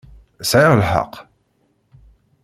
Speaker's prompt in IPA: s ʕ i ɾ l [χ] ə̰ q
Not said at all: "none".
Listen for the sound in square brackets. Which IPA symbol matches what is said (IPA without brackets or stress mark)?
ħ